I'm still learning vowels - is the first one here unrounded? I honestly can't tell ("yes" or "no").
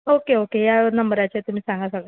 no